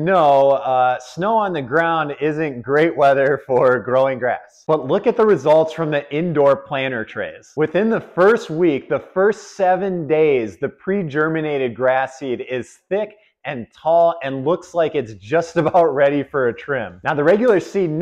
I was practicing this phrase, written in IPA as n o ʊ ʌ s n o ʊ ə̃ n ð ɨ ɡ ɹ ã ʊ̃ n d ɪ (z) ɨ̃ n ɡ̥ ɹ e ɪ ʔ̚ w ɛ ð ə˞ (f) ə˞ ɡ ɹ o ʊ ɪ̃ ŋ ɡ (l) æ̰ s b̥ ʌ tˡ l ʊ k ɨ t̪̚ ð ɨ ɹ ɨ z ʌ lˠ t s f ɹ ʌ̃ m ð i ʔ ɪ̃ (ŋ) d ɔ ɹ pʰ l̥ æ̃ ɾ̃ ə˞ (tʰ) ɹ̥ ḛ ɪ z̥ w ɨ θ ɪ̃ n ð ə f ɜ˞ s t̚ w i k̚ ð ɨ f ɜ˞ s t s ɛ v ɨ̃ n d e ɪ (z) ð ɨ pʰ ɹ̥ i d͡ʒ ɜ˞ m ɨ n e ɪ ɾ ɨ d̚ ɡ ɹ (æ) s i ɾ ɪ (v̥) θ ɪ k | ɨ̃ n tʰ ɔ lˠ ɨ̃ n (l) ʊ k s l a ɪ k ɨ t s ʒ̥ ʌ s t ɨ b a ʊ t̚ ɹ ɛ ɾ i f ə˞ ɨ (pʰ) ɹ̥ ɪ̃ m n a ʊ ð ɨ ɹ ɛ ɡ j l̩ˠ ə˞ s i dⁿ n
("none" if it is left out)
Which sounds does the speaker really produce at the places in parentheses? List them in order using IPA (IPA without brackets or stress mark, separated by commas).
z, f, ɹ, n, tʰ, z, æ, z̥, l, tʰ